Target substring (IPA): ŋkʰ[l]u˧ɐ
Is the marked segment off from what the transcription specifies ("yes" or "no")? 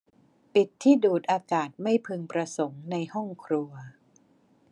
yes